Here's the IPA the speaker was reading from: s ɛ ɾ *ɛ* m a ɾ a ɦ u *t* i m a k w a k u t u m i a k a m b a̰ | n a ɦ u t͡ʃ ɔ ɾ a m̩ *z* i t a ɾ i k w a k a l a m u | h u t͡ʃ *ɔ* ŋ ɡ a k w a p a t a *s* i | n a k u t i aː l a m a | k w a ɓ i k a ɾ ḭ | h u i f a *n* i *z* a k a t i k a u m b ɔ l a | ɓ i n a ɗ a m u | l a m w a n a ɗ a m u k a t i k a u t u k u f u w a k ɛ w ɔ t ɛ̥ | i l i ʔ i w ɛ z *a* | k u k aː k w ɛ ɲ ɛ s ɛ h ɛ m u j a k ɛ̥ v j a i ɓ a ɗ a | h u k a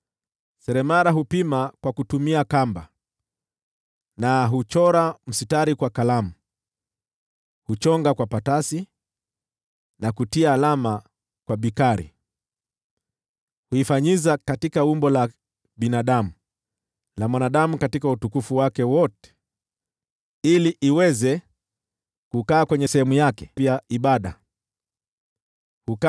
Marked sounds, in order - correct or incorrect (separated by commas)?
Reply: correct, incorrect, incorrect, correct, correct, incorrect, correct, incorrect